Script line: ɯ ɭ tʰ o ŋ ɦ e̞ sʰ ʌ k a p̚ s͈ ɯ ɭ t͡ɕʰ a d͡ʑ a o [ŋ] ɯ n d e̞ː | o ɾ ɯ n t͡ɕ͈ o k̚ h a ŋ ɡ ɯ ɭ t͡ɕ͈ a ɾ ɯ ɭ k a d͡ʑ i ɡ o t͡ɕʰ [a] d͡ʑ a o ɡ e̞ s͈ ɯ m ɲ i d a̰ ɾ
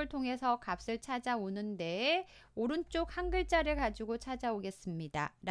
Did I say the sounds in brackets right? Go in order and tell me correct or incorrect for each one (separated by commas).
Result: incorrect, correct